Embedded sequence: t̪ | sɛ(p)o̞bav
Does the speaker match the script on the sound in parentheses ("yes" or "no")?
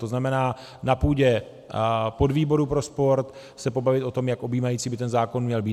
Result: yes